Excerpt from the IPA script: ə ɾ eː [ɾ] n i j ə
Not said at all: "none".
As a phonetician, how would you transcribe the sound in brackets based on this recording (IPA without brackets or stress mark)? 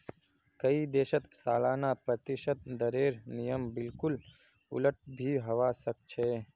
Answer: ɾ